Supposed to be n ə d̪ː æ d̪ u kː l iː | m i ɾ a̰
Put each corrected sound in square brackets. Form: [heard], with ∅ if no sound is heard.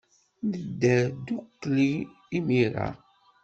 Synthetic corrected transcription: n ə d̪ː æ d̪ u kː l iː | m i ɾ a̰